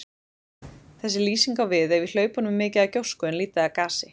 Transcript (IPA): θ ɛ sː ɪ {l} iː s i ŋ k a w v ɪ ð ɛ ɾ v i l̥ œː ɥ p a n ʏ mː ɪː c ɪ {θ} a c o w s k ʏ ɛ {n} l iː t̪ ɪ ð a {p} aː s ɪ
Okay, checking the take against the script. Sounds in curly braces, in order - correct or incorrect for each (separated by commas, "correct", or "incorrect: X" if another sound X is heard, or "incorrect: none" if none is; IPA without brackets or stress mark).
correct, incorrect: ð, correct, incorrect: k